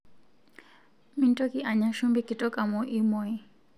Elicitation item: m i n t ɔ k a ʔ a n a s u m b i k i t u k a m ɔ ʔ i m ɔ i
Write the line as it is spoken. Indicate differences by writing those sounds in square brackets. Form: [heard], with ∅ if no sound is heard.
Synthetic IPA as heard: m i n t ɔ k [i] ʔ a [ɲ] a [ʃ] u m b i k i t [ɔ] k a m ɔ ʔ i m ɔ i